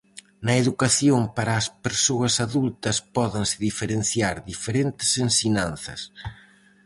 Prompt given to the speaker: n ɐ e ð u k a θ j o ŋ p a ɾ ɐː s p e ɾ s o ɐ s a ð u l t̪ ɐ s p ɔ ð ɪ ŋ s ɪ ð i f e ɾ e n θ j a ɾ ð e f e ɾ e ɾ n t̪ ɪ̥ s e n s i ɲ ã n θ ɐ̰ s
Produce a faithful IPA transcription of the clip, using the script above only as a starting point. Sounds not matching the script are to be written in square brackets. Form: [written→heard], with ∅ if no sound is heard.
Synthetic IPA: n ɐ e ð u k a θ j o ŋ p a ɾ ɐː s p e ɾ s o ɐ s a ð u l t̪ ɐ s p ɔ ð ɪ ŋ s ɪ ð i f e ɾ e n θ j a ɾ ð [e→i] f e ɾ e [ɾ→∅] n t̪ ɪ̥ s e n s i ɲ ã n θ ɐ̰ s

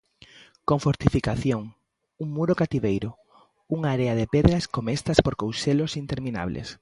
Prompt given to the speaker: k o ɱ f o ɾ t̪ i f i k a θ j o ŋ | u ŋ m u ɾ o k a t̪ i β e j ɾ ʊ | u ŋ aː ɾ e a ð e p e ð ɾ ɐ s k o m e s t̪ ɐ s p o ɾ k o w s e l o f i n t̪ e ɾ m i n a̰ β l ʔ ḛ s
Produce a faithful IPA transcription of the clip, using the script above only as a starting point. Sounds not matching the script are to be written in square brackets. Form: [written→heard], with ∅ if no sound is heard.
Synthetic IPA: k o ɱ f o ɾ t̪ i f i k a θ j o ŋ | u ŋ m u ɾ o k a t̪ i β e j ɾ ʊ | u ŋ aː ɾ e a ð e p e ð ɾ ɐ s k o m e s t̪ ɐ s p o ɾ k o w s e l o [f→s] i n t̪ e ɾ m i n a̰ β l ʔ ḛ s

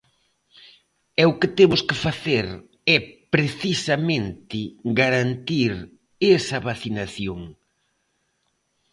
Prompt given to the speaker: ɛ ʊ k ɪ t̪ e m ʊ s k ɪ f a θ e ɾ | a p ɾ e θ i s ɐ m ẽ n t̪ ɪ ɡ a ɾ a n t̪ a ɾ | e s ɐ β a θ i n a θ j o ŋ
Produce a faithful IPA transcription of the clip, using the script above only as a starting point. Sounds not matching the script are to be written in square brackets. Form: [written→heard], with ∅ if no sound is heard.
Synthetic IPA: ɛ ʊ k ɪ t̪ e m ʊ s k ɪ f a θ e ɾ | [a→ɛ] p ɾ e θ i s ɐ m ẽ n t̪ ɪ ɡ a ɾ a n t̪ [a→i] ɾ | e s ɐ β a θ i n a θ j o ŋ

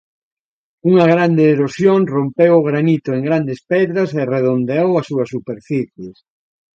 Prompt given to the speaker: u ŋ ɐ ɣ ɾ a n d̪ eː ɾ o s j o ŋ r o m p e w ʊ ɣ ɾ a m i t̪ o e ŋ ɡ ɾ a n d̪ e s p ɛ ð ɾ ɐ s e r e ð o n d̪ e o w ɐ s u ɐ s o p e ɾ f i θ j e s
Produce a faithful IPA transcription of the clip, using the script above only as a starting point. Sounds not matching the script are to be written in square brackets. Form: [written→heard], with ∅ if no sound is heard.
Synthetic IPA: u ŋ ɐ ɣ ɾ a n d̪ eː ɾ o s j o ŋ r o m p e w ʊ ɣ ɾ a [m→n] i t̪ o e ŋ ɡ ɾ a n d̪ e s p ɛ ð ɾ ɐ s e r e ð o n d̪ e o w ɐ s u ɐ s [o→u] p e ɾ f i θ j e s

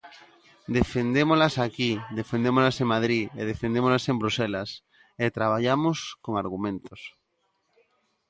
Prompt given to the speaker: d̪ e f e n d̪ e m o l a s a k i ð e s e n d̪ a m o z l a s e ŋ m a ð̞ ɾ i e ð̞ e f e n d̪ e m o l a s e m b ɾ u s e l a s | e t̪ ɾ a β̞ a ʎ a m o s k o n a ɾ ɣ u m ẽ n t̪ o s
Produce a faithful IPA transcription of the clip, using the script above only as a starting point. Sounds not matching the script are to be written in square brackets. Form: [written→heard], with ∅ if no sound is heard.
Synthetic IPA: d̪ e f e n d̪ e m o l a s a k i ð e [s→f] e n d̪ [a→e] m o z l a s e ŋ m a ð̞ ɾ i e ð̞ e f e n d̪ e m o l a s e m b ɾ u s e l a s | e t̪ ɾ a β̞ a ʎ a m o s k o [n→ŋ] a ɾ ɣ u m ẽ n t̪ o s

